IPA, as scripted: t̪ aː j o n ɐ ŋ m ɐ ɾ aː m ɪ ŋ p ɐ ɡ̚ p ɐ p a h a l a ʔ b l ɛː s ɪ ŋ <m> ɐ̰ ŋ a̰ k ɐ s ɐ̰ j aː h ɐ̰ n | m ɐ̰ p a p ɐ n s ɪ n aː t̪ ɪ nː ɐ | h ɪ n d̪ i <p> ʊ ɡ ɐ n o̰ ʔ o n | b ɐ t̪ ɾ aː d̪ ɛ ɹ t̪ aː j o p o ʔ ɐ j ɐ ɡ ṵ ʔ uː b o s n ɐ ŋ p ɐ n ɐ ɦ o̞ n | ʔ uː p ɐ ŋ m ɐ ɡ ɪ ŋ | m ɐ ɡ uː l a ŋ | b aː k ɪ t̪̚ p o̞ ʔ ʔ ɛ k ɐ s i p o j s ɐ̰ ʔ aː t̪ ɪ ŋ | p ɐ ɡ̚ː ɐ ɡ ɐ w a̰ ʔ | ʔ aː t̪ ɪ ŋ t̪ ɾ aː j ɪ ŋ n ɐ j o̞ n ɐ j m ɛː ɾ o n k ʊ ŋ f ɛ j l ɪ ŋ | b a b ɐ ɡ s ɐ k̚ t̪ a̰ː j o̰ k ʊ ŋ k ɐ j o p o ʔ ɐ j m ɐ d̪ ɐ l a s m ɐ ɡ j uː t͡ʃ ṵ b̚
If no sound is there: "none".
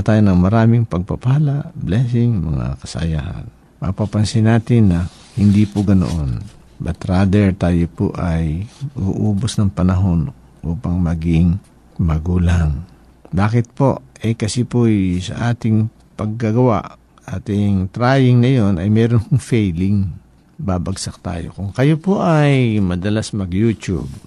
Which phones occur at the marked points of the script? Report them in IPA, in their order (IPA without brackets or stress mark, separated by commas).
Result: m, p